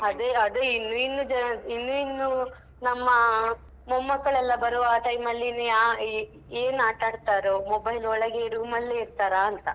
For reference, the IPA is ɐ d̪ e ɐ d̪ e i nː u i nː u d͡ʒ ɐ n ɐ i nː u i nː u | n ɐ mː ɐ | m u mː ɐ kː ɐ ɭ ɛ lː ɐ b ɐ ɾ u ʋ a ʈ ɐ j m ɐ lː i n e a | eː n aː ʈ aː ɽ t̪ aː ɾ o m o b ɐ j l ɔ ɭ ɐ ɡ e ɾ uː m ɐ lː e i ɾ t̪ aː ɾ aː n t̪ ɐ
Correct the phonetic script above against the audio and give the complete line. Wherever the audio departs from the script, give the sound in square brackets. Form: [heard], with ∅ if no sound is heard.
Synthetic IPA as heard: ɐ d̪ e ɐ d̪ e i nː u i nː u d͡ʒ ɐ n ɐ i nː u i nː u | n ɐ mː ɐ | m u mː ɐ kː ɐ ɭ ɛ lː ɐ b ɐ ɾ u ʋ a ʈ ɐ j m ɐ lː i n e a | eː n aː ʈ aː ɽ t̪ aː ɾ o m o b ɐ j l ɔ ɭ ɐ ɡ e ɾ uː m ɐ lː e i ɾ t̪ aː ɾ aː n t̪ ɐ